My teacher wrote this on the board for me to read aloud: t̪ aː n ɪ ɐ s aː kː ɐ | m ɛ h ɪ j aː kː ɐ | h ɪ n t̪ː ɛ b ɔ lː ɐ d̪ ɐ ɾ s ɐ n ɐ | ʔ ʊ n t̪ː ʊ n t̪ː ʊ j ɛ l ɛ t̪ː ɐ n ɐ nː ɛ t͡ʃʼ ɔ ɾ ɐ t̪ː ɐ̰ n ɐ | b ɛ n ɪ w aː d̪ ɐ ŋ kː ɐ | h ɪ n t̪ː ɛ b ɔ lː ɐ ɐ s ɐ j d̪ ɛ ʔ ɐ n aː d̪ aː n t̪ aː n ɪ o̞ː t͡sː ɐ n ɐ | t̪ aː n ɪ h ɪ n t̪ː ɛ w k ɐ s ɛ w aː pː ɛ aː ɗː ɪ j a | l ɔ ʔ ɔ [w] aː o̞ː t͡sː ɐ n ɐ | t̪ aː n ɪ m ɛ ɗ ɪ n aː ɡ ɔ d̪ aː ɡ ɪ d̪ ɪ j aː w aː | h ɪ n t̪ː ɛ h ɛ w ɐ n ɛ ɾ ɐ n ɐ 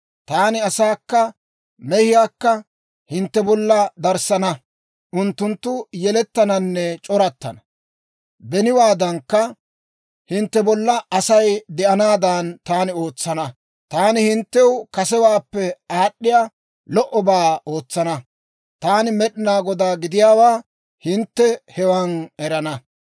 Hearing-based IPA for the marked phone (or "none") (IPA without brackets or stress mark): b